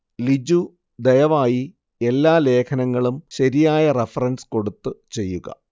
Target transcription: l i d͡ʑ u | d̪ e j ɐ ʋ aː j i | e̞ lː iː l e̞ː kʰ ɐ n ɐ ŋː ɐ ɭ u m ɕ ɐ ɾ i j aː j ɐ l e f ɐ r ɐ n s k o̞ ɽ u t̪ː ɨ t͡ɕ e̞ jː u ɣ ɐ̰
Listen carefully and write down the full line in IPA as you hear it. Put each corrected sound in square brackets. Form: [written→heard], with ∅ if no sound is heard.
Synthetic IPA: l i d͡ʑ u | d̪ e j ɐ ʋ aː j i | e̞ lː [iː→aː] l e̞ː kʰ ɐ n ɐ ŋː ɐ ɭ u m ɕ ɐ ɾ i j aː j ɐ [l→r] e f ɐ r ɐ n s k o̞ ɽ u t̪ː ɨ t͡ɕ e̞ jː u ɣ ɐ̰